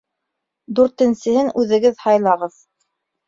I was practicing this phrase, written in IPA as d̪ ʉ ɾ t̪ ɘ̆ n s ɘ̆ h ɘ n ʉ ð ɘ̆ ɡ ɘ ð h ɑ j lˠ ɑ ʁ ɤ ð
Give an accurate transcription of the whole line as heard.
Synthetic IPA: d̪ ʉ ɾ t̪ ɘ̆ n s ɘ̆ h ɘ n ʉ ð ɘ̆ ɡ ɘ ð h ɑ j lˠ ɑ ʁ ɤ ð